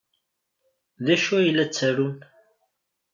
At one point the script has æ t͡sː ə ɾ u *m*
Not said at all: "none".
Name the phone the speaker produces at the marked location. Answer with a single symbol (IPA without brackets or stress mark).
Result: n